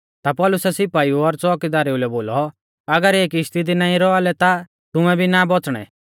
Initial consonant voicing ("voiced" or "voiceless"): voiceless